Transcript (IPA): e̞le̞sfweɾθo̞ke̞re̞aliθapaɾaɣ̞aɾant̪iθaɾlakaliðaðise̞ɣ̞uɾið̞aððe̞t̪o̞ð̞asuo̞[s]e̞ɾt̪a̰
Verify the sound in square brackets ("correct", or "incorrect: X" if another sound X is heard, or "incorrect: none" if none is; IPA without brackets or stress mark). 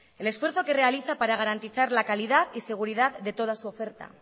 incorrect: f